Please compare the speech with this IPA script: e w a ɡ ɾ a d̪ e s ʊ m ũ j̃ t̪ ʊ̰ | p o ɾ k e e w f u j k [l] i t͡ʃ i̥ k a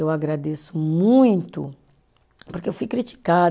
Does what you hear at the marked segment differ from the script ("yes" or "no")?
yes